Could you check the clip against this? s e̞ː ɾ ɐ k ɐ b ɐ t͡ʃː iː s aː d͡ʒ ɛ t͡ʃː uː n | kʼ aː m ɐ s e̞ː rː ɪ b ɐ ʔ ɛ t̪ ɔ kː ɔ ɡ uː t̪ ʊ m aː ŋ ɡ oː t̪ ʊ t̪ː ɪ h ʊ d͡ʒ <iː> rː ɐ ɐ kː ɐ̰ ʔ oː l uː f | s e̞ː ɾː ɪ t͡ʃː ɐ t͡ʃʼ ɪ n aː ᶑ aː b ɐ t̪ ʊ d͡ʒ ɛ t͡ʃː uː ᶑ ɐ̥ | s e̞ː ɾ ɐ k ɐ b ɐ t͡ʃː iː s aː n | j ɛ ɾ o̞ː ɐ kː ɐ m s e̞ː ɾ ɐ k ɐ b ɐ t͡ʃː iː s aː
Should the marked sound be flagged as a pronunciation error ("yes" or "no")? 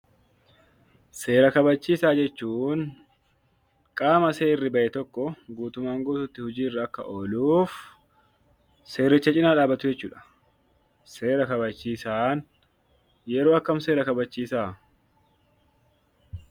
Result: no